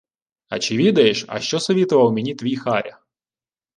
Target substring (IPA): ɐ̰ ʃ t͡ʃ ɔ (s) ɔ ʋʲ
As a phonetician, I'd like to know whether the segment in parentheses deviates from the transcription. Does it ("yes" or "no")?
no